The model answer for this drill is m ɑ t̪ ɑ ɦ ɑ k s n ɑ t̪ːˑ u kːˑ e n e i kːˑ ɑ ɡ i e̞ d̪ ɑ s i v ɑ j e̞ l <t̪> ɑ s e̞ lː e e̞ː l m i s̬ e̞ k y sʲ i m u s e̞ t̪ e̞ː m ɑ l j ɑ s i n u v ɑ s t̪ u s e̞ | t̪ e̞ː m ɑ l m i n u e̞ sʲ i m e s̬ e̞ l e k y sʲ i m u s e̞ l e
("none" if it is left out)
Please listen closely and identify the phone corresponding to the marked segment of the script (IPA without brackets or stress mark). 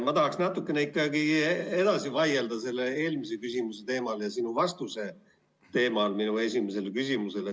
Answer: d̪